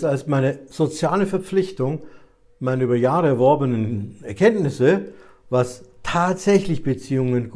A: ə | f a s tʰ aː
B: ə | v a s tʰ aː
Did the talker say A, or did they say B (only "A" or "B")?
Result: B